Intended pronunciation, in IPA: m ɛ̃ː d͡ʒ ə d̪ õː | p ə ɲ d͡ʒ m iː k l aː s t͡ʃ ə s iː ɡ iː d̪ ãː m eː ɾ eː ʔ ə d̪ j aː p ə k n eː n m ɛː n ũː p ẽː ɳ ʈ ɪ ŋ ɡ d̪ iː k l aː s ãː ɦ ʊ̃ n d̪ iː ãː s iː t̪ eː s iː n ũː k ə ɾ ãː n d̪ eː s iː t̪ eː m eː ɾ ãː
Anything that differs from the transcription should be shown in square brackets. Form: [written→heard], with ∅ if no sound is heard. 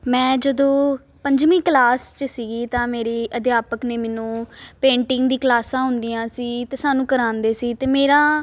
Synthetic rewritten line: m ɛ̃ː d͡ʒ ə d̪ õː | p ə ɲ d͡ʒ m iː k l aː s t͡ʃ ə s iː ɡ iː [d̪→t̪] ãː m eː ɾ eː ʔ ə d̪ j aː p ə k n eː [n→∅] m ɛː n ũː p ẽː ɳ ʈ ɪ ŋ ɡ d̪ iː k l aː s ãː ɦ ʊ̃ n d̪ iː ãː s iː t̪ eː s [iː→aː] n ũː k ə ɾ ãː n d̪ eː s iː t̪ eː m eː ɾ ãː